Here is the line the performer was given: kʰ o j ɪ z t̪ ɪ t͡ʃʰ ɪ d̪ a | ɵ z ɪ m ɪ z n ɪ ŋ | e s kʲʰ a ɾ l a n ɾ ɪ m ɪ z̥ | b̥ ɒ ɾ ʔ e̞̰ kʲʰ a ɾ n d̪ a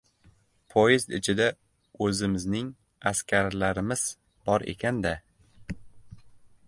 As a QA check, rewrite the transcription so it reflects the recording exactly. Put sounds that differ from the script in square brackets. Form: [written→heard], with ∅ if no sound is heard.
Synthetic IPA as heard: [kʰ→pʰ] o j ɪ z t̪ ɪ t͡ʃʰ ɪ d̪ a | ɵ z ɪ m ɪ z n ɪ ŋ | [e→a] s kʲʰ a ɾ l a [n→∅] ɾ ɪ m ɪ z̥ | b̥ ɒ ɾ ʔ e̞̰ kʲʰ a [ɾ→∅] n d̪ a